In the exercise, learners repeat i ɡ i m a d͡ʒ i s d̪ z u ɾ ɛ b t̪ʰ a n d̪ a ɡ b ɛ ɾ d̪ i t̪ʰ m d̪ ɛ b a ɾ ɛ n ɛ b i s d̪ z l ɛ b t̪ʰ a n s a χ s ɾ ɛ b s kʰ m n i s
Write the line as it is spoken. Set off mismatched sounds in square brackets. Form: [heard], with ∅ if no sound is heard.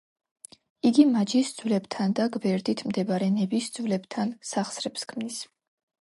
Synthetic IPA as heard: i ɡ i m a d͡ʒ i s d̪ z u [l] ɛ b t̪ʰ a n d̪ a ɡ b ɛ ɾ d̪ i t̪ʰ m d̪ ɛ b a ɾ ɛ n ɛ b i s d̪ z l ɛ b t̪ʰ a n s a χ s ɾ ɛ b s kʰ m n i s